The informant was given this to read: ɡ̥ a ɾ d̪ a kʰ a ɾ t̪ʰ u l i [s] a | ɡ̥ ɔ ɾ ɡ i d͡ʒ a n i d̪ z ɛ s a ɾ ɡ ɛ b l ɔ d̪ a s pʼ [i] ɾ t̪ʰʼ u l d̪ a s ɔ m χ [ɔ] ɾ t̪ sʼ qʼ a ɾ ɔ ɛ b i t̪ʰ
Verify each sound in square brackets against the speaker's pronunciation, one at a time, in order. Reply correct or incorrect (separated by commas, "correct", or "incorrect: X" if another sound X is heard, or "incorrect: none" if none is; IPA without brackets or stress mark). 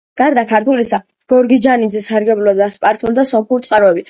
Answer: correct, incorrect: a, incorrect: u